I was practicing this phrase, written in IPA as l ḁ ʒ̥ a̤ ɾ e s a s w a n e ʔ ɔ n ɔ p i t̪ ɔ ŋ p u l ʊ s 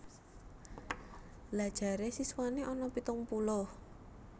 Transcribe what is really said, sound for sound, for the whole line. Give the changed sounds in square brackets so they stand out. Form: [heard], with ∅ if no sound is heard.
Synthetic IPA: l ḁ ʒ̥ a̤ ɾ e s [i] s w a n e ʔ ɔ n ɔ p i t̪ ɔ ŋ p u l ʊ [h]

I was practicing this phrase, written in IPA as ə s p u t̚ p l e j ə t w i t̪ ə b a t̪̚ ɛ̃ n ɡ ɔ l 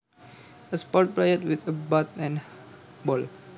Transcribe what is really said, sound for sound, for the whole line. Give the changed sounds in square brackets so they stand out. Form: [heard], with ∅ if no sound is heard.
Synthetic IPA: ə s p [ɔ] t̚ p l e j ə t w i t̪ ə b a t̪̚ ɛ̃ n [b] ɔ l

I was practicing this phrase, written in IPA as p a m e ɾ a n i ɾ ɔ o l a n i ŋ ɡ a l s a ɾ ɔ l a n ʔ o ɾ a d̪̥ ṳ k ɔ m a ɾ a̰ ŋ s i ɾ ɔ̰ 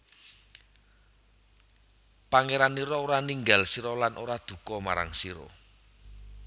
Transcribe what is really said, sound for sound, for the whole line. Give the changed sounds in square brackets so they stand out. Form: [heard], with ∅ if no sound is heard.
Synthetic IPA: p a [ŋ] e ɾ a n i ɾ ɔ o [ɾ] a n i ŋ ɡ a l s [i] ɾ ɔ l a n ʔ o ɾ a d̪̥ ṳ k ɔ m a ɾ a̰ ŋ s i ɾ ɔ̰

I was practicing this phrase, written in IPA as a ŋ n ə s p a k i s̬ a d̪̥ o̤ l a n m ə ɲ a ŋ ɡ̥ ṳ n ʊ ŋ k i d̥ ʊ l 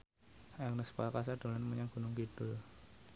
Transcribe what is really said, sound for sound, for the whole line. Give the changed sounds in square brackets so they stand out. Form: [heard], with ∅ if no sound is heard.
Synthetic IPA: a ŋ n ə s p a k [a] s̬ a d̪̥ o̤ l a n m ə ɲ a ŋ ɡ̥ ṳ n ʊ ŋ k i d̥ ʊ l

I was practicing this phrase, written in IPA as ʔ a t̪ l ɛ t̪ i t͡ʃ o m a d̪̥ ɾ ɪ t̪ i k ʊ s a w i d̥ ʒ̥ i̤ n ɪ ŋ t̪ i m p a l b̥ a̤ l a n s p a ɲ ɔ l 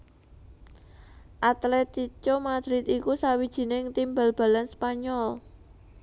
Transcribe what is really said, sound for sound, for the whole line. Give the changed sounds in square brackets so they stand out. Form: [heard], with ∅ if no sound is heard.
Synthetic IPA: ʔ a t̪ l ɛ t̪ i t͡ʃ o m a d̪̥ ɾ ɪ t̪ i k [u] s a w i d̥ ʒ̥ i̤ n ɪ ŋ t̪ i m [b] a l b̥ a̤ l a n s p a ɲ ɔ l

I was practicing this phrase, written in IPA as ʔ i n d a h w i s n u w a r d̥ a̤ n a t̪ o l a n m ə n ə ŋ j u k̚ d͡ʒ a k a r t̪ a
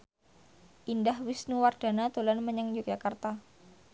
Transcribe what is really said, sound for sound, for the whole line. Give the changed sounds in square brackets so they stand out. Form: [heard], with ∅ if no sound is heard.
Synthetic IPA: ʔ i n d a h w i s n u w a r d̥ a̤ n a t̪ o l a n m ə [ɲ] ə ŋ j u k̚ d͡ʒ a k a r t̪ a

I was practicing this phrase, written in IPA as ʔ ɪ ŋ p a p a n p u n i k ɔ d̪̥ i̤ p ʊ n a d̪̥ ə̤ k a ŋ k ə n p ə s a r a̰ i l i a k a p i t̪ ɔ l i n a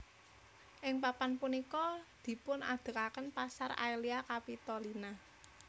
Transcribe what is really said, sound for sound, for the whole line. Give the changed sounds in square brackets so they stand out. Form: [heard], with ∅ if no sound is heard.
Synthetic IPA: ʔ ɪ ŋ p a p a n p u n i k ɔ d̪̥ i̤ p ʊ n a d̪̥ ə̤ k a [∅] k ə n p [a] s a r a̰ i l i a k a p i t̪ ɔ l i n a

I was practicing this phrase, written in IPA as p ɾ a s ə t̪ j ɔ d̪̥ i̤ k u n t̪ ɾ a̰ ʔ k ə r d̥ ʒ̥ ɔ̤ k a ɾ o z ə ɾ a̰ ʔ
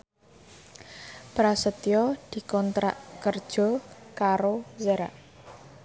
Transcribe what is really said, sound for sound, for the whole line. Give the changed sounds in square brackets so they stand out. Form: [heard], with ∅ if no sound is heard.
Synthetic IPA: p ɾ a s ə t̪ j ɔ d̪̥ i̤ k [ɔ] n t̪ ɾ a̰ ʔ k ə r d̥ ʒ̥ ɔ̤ k a ɾ o z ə ɾ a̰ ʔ

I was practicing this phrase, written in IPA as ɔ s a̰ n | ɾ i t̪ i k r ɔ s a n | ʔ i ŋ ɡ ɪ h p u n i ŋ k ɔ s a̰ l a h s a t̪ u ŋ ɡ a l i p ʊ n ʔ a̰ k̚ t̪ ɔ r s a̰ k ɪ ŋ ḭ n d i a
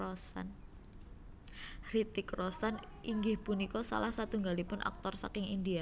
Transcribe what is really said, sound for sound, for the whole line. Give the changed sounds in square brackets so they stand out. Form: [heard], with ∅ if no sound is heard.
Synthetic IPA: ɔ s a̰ n | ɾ i t̪ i k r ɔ s a n | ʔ i ŋ ɡ ɪ h p u n i [∅] k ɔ s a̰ l a h s a t̪ u ŋ ɡ a l i p ʊ n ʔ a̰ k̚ t̪ ɔ r s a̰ k ɪ ŋ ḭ n d i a

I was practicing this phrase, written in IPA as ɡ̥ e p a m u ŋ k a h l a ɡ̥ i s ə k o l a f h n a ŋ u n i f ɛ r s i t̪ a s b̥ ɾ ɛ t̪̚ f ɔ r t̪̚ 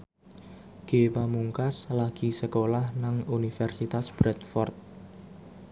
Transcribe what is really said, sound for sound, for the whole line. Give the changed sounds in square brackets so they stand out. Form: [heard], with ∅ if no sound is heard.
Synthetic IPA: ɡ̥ e p a m u ŋ k a [s] l a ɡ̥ i s ə k o l a [∅] h n a ŋ u n i f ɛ r s i t̪ a s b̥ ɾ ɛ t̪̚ f ɔ r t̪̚

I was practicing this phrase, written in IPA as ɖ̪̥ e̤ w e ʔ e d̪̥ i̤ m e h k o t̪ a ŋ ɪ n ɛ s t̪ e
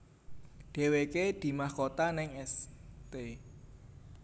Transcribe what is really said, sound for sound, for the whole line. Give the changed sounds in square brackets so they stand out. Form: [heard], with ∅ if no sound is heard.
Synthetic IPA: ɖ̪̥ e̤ w e [k] e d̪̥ i̤ m [a] h k o t̪ a [n] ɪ [ŋ] ɛ s t̪ e

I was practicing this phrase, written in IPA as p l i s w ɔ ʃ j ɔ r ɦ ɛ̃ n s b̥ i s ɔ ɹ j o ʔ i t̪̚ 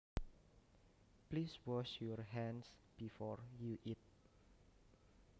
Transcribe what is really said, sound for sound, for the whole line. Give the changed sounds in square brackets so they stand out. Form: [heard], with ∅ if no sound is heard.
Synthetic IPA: p l i s w ɔ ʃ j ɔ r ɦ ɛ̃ n s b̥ i [f] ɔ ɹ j [u] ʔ i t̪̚

